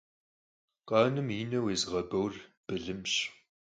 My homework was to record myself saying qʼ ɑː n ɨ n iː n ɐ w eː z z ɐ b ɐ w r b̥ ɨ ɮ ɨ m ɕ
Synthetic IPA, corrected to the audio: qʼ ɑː n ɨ m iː n ɐ w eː z ʁ ɐ b ɐ w r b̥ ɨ ɮ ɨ m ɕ

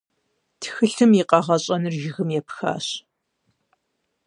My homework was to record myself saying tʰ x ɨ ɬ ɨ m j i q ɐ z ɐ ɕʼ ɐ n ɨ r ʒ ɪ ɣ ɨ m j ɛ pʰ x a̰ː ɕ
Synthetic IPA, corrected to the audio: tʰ x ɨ ɬ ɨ m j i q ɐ ʁ ɐ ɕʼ ɐ n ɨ r ʒ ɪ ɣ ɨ m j ɛ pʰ x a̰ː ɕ

